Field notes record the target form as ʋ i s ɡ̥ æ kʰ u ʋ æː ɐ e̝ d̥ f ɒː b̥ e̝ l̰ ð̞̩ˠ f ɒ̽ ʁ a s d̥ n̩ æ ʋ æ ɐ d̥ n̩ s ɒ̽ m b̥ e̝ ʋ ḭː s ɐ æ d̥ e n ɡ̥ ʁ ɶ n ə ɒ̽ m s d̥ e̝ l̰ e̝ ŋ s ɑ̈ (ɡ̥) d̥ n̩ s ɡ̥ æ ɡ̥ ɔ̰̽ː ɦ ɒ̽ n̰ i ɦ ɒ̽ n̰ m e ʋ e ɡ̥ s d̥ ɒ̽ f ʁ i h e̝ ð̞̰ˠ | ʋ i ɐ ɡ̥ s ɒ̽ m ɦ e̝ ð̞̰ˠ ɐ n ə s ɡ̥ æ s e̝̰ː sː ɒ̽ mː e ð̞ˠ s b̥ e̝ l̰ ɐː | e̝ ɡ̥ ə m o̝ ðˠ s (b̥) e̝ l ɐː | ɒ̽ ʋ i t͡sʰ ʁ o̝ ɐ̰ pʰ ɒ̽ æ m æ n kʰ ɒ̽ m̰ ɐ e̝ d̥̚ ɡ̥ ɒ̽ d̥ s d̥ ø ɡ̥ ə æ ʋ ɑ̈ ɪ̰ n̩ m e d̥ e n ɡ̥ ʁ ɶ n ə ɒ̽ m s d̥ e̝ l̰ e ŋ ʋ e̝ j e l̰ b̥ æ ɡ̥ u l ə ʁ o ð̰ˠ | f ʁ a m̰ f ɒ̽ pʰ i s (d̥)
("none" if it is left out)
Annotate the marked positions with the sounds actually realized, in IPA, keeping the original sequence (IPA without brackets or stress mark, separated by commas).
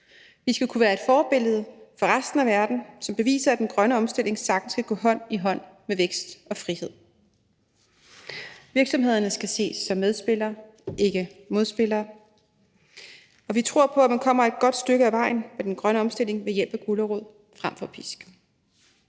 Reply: ɡ̥, b̥, ɡ̥